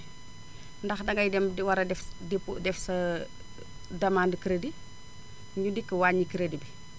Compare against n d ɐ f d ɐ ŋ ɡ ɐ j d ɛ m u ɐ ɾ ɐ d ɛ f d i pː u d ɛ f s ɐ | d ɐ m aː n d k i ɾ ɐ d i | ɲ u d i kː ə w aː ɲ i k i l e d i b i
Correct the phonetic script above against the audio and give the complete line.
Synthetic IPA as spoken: n d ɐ x d ɐ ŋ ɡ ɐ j d ɛ m w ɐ ɾ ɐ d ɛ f d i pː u d ɛ f s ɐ | d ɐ m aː n d k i ɾ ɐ d i | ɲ u d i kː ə w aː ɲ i k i ɾ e d i b i